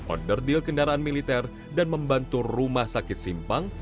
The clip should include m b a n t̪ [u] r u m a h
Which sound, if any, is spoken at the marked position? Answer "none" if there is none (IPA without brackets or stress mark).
u